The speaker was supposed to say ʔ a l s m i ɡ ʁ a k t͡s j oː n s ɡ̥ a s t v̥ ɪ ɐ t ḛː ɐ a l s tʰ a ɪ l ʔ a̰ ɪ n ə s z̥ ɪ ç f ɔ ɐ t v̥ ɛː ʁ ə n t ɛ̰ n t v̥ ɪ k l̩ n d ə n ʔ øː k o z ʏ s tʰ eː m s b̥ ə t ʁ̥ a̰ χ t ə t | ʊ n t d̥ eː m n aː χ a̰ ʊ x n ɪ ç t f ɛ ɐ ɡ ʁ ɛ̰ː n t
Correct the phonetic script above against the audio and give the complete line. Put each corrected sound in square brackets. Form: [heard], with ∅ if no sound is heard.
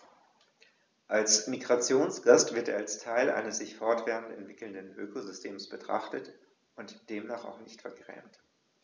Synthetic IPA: ʔ a l s m i ɡ ʁ a [∅] t͡s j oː n s ɡ̥ a s t v̥ ɪ ɐ t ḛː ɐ a l s tʰ a ɪ l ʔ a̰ ɪ n ə s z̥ ɪ ç f ɔ ɐ t v̥ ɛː ʁ ə n t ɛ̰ n t v̥ ɪ k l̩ n d ə n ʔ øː k o z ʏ s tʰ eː m s b̥ ə t ʁ̥ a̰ χ t ə t | ʊ n t d̥ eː m n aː χ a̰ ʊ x n ɪ ç t f ɛ ɐ ɡ ʁ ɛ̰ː [m] t